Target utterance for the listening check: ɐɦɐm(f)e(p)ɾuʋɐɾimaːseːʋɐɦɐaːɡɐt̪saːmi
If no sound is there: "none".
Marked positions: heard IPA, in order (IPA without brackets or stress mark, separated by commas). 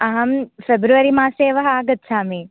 f, b